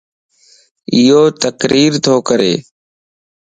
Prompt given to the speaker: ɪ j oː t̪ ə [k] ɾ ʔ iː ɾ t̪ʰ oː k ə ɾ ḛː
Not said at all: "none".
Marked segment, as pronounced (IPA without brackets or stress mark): k